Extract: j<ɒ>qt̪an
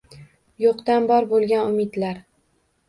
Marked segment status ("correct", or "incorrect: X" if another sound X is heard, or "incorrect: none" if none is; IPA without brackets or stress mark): incorrect: o